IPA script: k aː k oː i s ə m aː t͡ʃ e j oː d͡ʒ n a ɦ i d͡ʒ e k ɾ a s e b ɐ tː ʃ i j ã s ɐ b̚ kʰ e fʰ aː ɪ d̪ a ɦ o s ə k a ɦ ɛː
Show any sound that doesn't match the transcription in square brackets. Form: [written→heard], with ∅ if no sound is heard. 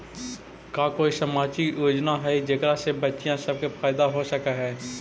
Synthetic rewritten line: k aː k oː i s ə m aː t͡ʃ [e→i] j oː d͡ʒ n a ɦ [i→ɛ] d͡ʒ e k ɾ a s e b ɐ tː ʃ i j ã s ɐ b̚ [kʰ→k] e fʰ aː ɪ d̪ a ɦ o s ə k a ɦ ɛː